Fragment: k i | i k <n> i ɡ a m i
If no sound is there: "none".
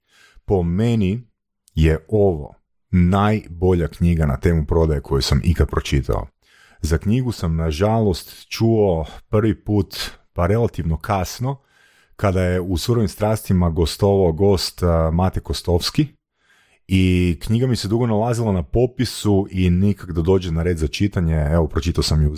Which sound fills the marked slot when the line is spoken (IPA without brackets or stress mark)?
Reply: ɲ